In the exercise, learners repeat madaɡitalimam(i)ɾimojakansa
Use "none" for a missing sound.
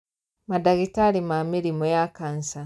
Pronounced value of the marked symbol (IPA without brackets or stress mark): i